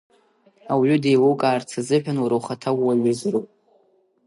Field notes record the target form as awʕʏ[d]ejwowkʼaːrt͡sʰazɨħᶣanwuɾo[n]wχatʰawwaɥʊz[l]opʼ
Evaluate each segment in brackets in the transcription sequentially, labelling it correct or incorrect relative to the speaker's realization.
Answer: correct, incorrect: none, incorrect: r

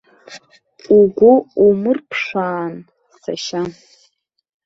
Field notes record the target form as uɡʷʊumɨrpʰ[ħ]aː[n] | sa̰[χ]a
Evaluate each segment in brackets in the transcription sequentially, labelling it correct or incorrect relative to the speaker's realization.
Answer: incorrect: ʂ, correct, incorrect: ʃ

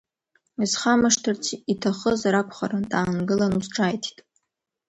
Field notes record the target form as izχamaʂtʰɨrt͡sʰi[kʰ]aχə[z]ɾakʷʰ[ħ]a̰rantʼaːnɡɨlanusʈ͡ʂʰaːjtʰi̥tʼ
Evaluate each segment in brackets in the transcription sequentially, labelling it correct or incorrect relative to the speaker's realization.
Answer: incorrect: tʰ, correct, incorrect: χ

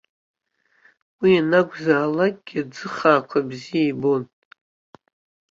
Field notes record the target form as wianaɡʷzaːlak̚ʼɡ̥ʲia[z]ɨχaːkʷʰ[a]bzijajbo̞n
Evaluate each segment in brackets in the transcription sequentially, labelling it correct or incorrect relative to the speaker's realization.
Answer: incorrect: d͡z, correct

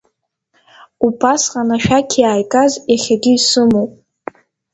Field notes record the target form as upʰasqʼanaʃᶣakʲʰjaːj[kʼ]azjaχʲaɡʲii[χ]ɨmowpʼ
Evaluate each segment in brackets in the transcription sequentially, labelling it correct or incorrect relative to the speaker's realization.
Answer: correct, incorrect: s

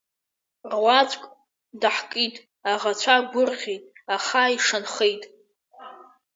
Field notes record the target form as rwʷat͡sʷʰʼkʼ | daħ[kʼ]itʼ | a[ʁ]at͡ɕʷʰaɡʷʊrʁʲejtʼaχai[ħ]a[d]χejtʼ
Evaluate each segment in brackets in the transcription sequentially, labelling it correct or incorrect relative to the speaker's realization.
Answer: correct, correct, incorrect: ʂ, incorrect: n

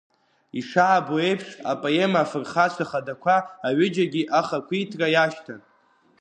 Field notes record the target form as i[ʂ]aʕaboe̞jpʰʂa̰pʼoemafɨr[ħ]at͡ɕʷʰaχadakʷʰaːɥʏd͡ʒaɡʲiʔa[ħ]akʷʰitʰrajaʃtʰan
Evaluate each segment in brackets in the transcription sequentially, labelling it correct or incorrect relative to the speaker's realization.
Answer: correct, incorrect: χ, incorrect: χ

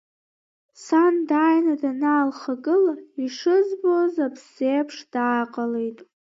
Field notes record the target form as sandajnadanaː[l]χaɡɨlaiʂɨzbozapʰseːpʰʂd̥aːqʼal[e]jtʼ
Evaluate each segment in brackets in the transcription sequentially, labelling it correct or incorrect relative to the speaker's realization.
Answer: correct, correct

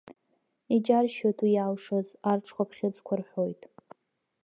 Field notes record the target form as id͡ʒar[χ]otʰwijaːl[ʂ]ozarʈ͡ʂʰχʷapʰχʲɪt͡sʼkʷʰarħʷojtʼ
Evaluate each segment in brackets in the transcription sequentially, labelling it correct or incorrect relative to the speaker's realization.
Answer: incorrect: ʃ, correct

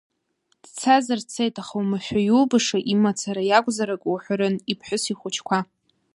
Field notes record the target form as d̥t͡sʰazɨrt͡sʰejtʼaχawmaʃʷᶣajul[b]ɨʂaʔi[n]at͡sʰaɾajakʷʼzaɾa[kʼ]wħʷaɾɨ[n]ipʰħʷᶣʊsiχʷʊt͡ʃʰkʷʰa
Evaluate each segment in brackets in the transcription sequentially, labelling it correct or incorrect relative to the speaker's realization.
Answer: correct, incorrect: m, correct, correct

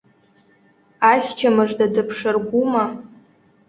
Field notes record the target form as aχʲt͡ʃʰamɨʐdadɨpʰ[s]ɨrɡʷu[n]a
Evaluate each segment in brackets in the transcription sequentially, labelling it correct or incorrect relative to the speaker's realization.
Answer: incorrect: ʂ, incorrect: m

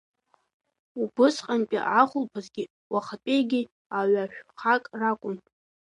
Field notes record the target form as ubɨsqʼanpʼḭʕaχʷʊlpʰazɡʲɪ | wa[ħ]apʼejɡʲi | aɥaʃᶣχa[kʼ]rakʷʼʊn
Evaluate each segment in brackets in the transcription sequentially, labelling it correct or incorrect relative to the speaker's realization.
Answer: incorrect: χ, correct

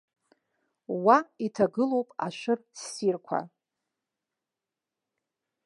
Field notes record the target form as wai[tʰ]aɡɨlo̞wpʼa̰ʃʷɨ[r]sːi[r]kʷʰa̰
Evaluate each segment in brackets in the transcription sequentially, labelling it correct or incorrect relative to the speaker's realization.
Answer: correct, correct, correct

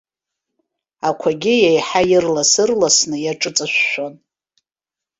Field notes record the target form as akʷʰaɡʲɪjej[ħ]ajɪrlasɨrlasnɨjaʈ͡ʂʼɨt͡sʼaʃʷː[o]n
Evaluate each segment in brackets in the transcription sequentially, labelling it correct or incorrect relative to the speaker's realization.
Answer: correct, correct

